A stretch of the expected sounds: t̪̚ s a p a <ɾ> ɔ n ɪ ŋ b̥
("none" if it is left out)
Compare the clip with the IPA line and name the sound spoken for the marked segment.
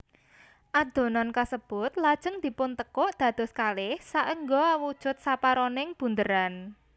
ɾ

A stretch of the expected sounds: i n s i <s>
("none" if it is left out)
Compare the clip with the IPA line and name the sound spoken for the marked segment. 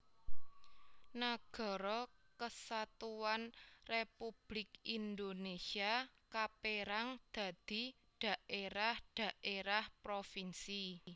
none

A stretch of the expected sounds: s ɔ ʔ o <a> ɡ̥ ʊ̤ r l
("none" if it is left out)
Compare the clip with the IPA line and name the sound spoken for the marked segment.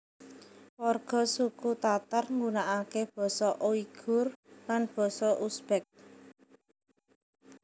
i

